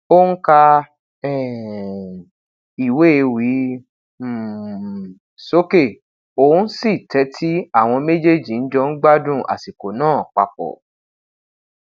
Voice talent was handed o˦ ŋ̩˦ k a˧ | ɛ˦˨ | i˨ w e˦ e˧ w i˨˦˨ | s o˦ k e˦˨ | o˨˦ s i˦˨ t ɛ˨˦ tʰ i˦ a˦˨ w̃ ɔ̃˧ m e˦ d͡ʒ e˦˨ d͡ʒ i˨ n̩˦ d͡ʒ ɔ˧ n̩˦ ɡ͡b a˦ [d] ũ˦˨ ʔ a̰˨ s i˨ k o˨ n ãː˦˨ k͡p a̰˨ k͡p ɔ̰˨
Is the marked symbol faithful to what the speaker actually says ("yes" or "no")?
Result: yes